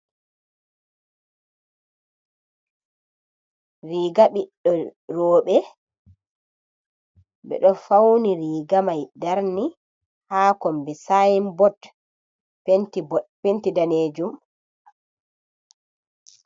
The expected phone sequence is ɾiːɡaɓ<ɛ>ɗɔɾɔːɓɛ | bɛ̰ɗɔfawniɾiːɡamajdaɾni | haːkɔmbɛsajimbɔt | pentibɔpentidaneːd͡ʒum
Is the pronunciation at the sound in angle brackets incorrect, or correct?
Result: incorrect